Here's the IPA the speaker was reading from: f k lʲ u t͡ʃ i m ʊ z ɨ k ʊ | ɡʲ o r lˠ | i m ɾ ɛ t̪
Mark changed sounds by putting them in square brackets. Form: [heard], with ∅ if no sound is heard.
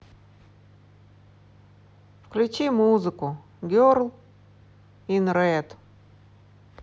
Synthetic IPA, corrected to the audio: f k lʲ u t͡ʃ i m [u] z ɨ k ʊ | ɡʲ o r lˠ | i [n] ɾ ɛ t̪